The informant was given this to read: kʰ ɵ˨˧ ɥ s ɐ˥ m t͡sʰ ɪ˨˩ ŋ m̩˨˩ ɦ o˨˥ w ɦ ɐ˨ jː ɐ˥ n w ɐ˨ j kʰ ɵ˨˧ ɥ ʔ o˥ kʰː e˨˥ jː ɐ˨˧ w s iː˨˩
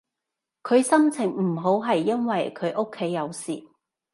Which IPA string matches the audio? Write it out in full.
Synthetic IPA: kʰ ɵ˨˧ ɥ s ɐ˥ m t͡sʰ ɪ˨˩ ŋ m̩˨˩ ɦ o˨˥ w ɦ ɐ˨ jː ɐ˥ n w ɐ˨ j kʰ ɵ˨˧ ɥ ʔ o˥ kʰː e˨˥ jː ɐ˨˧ w s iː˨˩